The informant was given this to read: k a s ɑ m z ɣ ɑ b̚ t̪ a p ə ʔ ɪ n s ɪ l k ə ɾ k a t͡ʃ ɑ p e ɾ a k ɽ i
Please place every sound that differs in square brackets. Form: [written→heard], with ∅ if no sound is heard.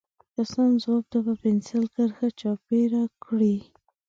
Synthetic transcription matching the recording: k a s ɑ [m→n] z [ɣ→w] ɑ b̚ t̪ a p ə [ʔ→p] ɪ n s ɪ l k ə ɾ [k→x] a t͡ʃ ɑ p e ɾ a k ɽ i